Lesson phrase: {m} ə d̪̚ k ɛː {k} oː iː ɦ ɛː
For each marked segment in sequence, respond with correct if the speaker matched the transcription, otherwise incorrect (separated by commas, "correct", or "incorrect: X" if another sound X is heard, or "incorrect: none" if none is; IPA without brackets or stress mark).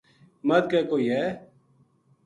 correct, correct